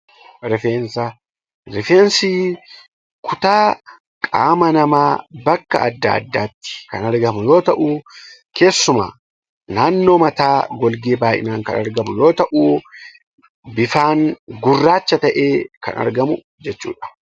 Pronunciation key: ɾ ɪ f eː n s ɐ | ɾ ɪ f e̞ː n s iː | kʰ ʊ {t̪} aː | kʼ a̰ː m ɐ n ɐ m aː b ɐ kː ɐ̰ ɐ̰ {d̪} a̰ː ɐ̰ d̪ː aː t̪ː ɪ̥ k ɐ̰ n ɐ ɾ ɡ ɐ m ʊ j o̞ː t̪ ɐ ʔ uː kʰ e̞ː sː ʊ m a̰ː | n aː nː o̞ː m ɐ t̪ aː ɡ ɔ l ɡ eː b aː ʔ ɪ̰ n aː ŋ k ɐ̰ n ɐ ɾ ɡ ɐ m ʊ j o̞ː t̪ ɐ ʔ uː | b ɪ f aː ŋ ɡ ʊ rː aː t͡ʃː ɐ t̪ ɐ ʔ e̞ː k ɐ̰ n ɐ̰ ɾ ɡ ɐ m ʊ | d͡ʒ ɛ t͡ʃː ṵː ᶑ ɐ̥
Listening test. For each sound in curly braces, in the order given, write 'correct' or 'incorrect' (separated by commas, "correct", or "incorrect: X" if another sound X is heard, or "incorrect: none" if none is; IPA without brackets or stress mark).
correct, incorrect: d̪ː